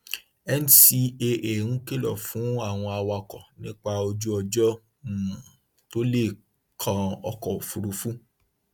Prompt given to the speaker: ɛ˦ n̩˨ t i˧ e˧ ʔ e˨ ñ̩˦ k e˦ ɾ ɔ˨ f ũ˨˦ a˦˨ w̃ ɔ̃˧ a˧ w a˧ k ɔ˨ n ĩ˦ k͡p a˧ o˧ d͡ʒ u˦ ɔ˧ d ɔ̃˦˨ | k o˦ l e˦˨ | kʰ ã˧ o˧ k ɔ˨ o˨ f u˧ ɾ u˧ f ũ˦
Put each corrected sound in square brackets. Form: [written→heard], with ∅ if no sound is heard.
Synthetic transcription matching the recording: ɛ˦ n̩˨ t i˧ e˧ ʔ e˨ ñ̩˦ k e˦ [ɾ→l] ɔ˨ f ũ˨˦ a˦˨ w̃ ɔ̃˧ a˧ w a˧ k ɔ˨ n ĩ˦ k͡p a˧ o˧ d͡ʒ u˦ ɔ˧ [d→d͡ʒ] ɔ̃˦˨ | [k→t] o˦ l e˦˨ | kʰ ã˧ [o˧→ɔ˧] k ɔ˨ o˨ f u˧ ɾ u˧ f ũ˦

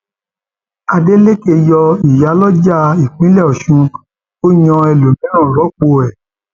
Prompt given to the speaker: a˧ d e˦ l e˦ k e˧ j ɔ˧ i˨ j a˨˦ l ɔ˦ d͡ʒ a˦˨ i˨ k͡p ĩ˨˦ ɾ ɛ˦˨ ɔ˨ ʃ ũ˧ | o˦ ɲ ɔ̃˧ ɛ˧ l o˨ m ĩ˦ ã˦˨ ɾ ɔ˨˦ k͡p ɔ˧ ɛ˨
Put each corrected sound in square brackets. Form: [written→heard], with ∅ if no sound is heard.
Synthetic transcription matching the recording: a˧ d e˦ l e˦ k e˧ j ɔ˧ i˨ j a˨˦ l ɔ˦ d͡ʒ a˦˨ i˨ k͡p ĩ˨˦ [ɾ→l] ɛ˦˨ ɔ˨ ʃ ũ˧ | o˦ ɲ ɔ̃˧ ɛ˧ l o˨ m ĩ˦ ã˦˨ ɾ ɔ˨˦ k͡p [ɔ˧→o˧] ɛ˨

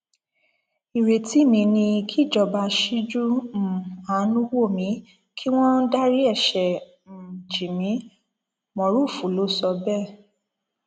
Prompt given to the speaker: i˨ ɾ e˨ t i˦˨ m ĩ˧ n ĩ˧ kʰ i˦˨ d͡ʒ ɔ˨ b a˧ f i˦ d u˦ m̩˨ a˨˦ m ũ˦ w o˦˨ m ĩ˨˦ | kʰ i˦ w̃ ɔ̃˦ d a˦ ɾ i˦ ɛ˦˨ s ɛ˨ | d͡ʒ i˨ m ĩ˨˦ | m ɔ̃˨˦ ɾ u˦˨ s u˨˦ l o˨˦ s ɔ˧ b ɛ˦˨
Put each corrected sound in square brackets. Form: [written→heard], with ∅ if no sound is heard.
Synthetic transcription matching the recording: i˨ ɾ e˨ t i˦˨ m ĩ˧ n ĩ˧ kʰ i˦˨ d͡ʒ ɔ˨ b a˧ [f→ʃ] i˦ [d→d͡ʒ] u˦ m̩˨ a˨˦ [m→n] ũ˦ w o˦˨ m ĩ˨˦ | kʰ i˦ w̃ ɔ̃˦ d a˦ ɾ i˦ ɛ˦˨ [s→ʃ] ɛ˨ | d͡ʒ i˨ m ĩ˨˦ | m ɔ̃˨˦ ɾ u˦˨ [s→f] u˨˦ l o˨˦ s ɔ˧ b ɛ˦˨

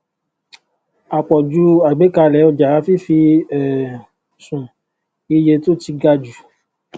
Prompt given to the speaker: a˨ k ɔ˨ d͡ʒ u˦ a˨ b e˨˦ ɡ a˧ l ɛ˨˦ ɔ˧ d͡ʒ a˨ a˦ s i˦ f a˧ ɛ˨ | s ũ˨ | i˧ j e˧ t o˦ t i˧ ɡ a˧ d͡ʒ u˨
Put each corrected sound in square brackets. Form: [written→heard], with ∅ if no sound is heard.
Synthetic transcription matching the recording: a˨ [k→k͡p] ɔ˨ d͡ʒ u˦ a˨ [b→ɡ͡b] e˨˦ [ɡ→k] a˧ l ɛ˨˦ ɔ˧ d͡ʒ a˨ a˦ [s→f] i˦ f [a˧→i˧] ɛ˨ | s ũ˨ | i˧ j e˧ t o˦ t i˧ ɡ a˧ d͡ʒ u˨

